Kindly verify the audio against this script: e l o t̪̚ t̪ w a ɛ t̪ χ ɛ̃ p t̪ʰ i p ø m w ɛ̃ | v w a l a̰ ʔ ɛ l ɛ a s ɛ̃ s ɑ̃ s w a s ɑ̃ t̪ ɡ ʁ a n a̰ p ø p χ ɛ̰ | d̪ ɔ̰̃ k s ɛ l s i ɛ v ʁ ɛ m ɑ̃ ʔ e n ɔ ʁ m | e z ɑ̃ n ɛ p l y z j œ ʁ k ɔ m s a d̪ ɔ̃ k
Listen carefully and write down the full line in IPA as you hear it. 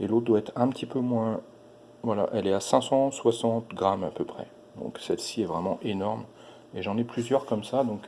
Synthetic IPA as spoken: e l o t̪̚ d̪ w a ɛ t̪ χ ɛ̃ p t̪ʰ i p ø m w ɛ̃ | v w a l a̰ ʔ ɛ l ɛ a s ɛ̃ s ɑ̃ s w a s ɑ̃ t̪ ɡ ʁ a m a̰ p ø p χ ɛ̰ | d̪ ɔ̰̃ k s ɛ l s i ɛ v ʁ ɛ m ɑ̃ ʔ e n ɔ ʁ m | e ʒ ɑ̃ n ɛ p l y z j œ ʁ k ɔ m s a d̪ ɔ̃ k